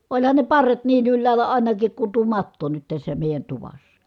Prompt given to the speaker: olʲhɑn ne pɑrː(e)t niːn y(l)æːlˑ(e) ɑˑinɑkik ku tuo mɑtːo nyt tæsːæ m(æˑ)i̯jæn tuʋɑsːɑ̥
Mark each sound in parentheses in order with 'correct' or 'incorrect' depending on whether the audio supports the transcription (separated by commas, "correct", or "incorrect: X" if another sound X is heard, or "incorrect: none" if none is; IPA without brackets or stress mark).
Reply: correct, incorrect: lː, incorrect: æ, incorrect: eˑ